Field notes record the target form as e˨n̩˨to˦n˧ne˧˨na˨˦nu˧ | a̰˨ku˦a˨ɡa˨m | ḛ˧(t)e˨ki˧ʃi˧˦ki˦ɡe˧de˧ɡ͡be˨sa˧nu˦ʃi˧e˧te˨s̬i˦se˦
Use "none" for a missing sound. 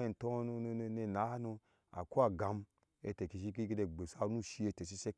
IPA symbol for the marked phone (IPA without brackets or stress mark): t